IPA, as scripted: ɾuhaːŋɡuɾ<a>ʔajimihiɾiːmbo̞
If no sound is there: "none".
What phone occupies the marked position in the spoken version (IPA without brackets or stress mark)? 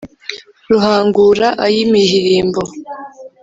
a